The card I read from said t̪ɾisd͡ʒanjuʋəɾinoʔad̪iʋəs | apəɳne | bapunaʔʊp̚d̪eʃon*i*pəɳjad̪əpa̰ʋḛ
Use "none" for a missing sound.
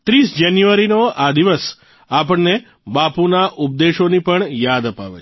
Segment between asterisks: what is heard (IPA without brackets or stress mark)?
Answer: i